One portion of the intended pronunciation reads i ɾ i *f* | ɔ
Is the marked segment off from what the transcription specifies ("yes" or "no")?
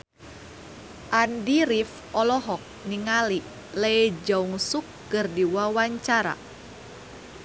no